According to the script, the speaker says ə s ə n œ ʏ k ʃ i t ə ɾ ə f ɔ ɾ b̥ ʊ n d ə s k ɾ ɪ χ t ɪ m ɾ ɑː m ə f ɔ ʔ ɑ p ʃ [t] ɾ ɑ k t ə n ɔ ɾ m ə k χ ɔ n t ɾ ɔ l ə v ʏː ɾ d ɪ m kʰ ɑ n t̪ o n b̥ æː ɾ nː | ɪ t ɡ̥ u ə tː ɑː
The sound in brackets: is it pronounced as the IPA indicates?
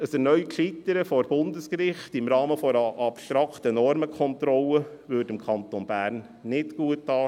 yes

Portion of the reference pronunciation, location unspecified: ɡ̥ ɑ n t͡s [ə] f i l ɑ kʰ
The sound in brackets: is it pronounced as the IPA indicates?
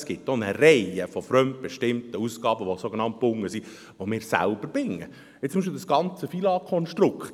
yes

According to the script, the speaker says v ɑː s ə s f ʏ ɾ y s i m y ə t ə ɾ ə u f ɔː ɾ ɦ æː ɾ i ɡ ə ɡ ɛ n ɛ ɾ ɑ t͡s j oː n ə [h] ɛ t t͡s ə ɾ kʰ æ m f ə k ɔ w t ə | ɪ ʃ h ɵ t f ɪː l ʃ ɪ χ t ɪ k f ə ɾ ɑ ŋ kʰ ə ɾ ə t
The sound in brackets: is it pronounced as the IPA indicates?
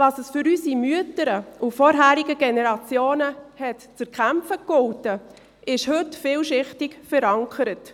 yes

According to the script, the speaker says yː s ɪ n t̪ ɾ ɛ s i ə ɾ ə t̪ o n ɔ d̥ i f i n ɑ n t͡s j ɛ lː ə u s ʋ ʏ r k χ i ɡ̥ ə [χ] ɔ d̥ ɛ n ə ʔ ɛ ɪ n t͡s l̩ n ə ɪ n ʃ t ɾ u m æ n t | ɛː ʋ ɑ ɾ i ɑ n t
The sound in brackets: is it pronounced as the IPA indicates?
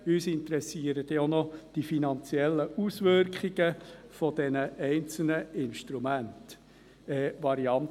no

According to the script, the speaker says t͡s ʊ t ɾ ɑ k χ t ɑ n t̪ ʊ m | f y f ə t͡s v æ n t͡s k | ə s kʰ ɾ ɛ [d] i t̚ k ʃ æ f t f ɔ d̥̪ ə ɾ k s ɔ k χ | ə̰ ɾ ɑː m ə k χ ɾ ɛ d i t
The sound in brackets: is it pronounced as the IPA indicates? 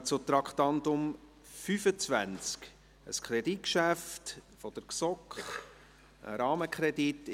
yes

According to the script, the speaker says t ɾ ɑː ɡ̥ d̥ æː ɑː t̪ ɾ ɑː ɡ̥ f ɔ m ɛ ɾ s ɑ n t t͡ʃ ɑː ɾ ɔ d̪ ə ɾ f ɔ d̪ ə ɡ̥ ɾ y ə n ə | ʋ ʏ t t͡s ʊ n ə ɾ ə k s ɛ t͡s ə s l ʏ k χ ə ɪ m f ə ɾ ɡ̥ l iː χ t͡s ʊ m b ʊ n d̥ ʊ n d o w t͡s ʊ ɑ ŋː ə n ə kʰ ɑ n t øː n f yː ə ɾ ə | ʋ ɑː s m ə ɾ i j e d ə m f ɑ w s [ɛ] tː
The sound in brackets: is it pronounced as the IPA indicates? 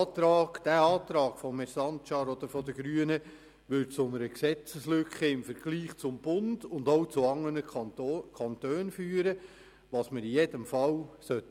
no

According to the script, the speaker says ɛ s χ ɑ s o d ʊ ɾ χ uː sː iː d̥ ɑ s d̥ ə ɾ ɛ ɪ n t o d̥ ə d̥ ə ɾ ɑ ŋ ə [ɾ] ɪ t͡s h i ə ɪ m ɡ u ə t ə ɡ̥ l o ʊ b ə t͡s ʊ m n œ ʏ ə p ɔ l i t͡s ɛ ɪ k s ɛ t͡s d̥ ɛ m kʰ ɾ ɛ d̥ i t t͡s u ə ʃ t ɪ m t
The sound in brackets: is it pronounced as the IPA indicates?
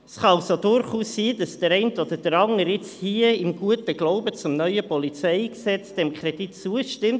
yes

